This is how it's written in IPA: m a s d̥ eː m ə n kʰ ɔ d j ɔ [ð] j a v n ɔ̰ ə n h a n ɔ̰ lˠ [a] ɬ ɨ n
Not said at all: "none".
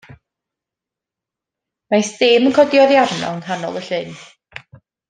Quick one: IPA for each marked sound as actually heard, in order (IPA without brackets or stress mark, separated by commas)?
ð, ə